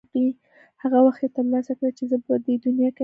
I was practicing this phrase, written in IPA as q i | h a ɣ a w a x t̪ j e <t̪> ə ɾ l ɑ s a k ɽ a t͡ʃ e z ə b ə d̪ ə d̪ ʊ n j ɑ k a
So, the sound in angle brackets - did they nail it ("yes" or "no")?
yes